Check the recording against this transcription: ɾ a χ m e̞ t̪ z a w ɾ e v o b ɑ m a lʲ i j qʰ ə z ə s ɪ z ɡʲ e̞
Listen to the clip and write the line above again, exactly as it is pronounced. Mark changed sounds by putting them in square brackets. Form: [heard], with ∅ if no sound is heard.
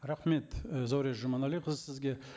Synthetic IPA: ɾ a χ m e̞ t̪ z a w ɾ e [ʒ] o [m] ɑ [n] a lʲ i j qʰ ə z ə s ɪ z ɡʲ e̞